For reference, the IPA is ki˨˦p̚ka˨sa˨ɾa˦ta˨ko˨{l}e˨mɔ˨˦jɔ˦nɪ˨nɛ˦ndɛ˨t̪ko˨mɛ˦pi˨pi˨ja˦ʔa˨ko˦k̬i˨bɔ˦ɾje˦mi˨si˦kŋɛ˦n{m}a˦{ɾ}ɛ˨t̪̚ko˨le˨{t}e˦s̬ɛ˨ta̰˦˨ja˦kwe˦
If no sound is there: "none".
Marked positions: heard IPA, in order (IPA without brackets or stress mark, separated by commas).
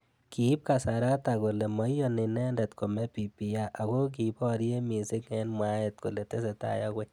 l, m, none, t